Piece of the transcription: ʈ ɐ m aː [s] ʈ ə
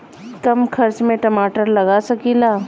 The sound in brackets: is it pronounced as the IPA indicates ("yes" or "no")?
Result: no